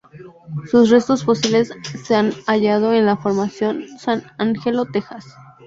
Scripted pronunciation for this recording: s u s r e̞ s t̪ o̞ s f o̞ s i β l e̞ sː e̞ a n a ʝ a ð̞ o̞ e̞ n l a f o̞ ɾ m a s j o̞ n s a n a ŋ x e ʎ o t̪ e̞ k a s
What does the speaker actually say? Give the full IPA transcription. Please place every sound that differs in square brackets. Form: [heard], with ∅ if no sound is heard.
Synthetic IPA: s u s r e̞ s t̪ o̞ s f o̞ s i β l e̞ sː e̞ a n a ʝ a ð̞ o̞ e̞ n l a f o̞ ɾ m a s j o̞ n s a n a ŋ x e [l] o t̪ e̞ [x] a s

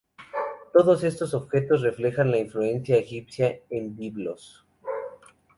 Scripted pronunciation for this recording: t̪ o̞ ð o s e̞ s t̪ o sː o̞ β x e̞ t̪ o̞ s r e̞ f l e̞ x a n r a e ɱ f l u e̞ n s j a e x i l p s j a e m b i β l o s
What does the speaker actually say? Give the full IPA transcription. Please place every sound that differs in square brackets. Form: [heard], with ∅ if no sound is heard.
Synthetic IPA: t̪ o̞ ð o s e̞ s t̪ o [s] o̞ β x e̞ t̪ o̞ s r e̞ f l e̞ x a n [l] a [i] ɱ f l u e̞ n s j a e x i [∅] p s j a e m b i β l o s

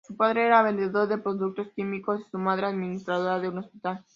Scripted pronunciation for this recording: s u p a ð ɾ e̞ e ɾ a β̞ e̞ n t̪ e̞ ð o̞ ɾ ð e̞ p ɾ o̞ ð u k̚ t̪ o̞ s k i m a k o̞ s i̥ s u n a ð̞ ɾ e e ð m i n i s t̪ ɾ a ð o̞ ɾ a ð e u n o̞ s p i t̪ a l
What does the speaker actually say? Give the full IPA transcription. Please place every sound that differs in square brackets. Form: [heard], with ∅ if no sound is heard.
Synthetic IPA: s u p a ð ɾ e̞ e ɾ a β̞ e̞ n [d̪] e̞ ð o̞ ɾ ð e̞ p ɾ o̞ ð u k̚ t̪ o̞ s k i m [i] k o̞ s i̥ s u [m] a ð̞ ɾ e [a] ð m i n i s t̪ ɾ a ð o̞ ɾ a ð e u n o̞ s p i t̪ a l

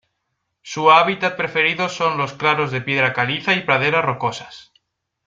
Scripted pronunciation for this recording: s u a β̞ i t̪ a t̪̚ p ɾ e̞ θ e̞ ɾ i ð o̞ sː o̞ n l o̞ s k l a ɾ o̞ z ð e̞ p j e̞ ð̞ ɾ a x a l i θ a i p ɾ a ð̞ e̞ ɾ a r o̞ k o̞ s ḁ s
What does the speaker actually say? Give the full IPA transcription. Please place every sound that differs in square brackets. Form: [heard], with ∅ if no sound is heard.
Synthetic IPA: s u a β̞ i t̪ a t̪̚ p ɾ e̞ [f] e̞ ɾ i ð o̞ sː o̞ n l o̞ s k l a ɾ o̞ z ð e̞ p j e̞ ð̞ ɾ a [k] a l i θ a i p ɾ a ð̞ e̞ ɾ a r o̞ k o̞ s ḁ s

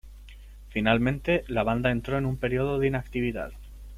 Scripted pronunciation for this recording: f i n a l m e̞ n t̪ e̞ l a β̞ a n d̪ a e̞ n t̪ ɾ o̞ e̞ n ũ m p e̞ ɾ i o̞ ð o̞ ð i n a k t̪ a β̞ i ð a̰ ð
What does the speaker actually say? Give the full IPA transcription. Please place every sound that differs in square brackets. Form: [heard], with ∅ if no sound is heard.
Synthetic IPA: f i n a l m [ẽ̞] n t̪ e̞ l a β̞ a n d̪ a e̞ n t̪ ɾ o̞ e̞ n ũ m p e̞ ɾ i o̞ ð o̞ ð i n a k t̪ [i] β̞ i ð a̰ ð

